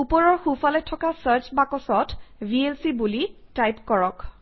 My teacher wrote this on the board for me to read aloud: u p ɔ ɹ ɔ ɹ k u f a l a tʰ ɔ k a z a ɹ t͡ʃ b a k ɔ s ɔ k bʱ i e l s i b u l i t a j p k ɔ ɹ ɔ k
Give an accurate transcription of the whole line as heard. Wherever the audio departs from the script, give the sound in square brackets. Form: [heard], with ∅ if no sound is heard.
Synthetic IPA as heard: u p ɔ ɹ ɔ ɹ [x] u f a l [ɛ] tʰ ɔ k a [s] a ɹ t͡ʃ b a k ɔ s ɔ [t] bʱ i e l s i b u l i t a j p k ɔ ɹ ɔ k

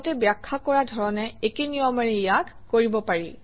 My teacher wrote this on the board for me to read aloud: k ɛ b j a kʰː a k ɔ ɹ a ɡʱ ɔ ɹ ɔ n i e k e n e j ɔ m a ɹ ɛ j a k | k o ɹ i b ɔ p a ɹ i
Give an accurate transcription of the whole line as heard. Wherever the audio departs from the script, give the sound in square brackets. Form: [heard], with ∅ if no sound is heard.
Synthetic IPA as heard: [t] ɛ b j a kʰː a k ɔ ɹ a [dʱ] ɔ ɹ ɔ n [ɛ] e k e n [i] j ɔ m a ɹ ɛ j a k | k o ɹ i b ɔ p a ɹ i

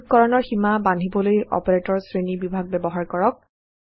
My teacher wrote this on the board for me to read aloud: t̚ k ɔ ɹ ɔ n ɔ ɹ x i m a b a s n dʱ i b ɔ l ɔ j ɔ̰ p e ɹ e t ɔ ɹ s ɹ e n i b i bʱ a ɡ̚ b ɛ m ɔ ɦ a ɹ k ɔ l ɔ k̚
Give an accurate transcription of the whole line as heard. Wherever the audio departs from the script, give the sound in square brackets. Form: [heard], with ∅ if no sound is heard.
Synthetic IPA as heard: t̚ k ɔ ɹ ɔ n ɔ ɹ x i m a b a [∅] n dʱ i b ɔ l [o] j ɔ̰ p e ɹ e t ɔ ɹ s ɹ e n i b i bʱ a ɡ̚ b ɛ [b] ɔ ɦ a ɹ k ɔ [ɹ] ɔ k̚

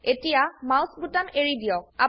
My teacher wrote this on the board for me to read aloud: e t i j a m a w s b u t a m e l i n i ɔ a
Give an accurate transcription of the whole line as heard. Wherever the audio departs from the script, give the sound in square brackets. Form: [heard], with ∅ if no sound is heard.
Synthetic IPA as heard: e t i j a m a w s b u t a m e [ɹ] i [d] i ɔ a

